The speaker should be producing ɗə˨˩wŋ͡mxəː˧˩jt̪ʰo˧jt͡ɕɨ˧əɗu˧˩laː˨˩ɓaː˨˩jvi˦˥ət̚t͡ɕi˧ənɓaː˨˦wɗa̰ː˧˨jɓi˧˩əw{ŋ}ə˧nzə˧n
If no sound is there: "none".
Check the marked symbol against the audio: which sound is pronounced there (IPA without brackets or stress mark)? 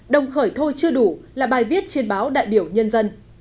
ɲ